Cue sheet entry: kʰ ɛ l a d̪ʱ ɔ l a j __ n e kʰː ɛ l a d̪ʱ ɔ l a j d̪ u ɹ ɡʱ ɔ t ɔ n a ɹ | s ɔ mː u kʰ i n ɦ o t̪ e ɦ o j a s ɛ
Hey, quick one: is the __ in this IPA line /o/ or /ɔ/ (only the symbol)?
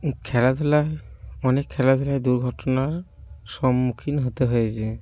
ɔ